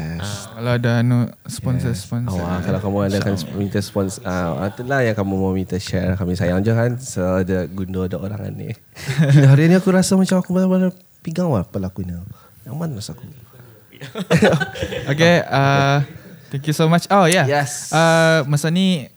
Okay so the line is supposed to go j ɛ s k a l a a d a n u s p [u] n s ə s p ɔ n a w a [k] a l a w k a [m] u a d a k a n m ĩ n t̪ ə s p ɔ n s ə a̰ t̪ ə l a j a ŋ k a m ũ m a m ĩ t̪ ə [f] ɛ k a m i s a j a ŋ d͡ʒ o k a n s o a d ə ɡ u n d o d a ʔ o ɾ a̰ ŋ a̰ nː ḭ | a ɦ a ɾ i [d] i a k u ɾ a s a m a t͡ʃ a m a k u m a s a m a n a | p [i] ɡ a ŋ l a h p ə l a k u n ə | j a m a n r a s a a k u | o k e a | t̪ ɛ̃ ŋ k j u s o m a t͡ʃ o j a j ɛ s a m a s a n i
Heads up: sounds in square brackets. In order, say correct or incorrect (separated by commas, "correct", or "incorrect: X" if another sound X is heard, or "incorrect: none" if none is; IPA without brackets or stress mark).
incorrect: ɔ, correct, correct, incorrect: ʃ, incorrect: n, correct